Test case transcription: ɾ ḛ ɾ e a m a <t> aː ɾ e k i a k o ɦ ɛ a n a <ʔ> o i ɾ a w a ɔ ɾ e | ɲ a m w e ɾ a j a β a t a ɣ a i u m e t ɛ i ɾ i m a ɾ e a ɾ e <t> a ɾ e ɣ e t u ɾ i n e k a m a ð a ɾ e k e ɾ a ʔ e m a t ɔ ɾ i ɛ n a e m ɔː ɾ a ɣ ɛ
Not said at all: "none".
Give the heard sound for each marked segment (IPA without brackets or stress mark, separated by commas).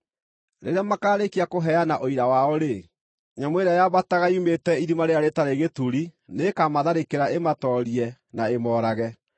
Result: k, ʔ, t